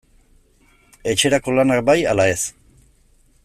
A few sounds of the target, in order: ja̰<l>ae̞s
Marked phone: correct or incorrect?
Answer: correct